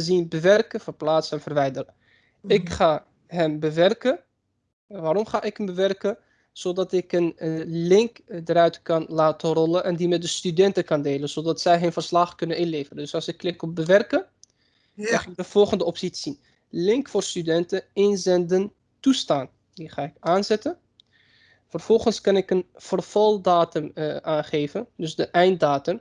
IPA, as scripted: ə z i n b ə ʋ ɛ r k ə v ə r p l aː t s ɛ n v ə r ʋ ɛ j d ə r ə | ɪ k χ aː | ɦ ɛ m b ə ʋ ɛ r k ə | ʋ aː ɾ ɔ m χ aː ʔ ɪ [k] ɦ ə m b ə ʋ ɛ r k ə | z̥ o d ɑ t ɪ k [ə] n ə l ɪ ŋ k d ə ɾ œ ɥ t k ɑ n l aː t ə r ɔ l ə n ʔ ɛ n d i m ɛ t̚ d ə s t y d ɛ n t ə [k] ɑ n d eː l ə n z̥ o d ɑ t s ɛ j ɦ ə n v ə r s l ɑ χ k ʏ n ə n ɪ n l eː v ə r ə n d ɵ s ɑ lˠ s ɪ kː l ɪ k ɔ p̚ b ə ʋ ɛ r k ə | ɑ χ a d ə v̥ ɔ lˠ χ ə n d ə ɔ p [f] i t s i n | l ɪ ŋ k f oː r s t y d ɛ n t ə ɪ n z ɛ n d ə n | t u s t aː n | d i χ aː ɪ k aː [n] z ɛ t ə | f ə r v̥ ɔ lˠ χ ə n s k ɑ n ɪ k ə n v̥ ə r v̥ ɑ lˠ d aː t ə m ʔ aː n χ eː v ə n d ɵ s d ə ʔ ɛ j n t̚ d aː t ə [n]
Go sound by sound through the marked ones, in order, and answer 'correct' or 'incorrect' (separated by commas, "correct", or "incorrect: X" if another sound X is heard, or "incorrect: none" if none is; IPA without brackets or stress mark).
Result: correct, correct, correct, incorrect: s, correct, incorrect: m